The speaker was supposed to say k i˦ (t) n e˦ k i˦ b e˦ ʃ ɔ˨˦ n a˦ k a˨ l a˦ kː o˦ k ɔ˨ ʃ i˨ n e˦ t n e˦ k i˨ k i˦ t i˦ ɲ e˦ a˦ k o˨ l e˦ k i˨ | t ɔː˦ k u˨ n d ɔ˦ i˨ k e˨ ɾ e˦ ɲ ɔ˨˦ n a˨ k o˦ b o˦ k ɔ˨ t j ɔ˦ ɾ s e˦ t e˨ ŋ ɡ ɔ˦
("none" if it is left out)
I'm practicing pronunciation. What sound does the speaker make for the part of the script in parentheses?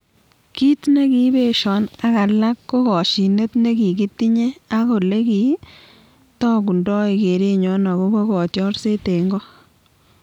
t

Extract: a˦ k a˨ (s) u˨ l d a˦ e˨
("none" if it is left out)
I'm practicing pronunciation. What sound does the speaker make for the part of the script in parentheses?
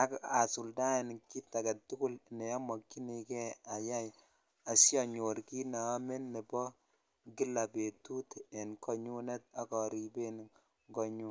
s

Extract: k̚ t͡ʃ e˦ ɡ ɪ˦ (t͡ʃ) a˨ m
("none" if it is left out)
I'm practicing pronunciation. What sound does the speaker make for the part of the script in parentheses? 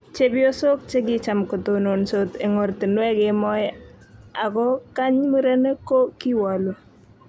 t͡ʃ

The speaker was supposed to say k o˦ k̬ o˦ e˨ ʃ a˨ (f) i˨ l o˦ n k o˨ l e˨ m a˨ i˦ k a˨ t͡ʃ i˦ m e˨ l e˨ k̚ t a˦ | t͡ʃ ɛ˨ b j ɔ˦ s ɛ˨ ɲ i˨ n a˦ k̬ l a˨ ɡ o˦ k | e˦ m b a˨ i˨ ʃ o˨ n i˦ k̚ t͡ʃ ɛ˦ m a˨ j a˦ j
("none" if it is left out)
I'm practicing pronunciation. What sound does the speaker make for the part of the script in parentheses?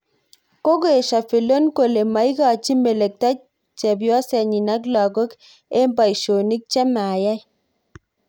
f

